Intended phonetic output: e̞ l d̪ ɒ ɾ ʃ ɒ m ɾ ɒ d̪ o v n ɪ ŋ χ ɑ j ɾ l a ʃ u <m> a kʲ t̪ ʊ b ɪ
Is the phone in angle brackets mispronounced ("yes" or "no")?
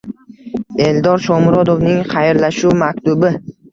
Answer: no